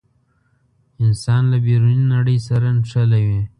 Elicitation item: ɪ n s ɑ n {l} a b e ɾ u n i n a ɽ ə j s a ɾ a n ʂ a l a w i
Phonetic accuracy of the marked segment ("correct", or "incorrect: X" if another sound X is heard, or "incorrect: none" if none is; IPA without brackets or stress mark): correct